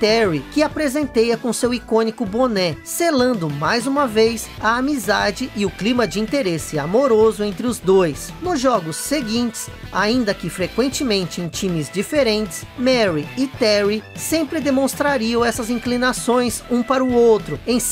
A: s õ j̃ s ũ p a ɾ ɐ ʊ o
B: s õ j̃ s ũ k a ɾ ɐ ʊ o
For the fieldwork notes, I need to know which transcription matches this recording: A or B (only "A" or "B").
A